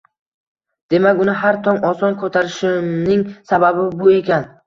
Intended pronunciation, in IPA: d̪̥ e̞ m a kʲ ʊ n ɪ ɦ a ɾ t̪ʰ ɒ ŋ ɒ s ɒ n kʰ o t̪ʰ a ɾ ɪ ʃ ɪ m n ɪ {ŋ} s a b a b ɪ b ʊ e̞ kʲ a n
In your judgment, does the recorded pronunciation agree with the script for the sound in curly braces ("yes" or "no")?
yes